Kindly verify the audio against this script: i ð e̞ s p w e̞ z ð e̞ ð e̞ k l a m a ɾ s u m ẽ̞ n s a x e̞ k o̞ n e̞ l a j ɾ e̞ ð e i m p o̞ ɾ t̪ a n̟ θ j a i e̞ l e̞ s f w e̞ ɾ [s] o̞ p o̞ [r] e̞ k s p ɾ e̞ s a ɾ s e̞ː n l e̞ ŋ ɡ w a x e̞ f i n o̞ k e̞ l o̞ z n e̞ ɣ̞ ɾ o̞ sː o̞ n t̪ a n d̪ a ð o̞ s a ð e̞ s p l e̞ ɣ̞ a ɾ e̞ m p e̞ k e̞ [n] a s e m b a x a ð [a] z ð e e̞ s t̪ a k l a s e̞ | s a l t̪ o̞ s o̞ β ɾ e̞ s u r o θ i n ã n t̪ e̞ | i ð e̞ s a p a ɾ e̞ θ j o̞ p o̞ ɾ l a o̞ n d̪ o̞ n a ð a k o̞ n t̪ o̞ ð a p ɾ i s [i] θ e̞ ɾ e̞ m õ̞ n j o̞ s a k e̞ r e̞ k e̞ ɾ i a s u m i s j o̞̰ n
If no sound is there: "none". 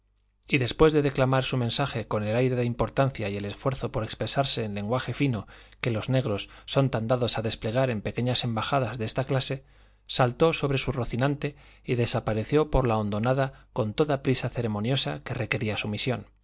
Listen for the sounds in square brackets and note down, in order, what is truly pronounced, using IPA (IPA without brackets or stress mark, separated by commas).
θ, ɾ, ɲ, a, a